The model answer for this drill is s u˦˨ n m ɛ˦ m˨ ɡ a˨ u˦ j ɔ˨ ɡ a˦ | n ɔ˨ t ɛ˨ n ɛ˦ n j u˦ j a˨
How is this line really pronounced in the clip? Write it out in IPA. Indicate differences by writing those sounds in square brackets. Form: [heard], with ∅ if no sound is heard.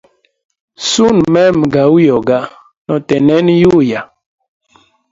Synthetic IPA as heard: s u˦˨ n m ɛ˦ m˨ ɡ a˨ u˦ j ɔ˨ ɡ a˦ | n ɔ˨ t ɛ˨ n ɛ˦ n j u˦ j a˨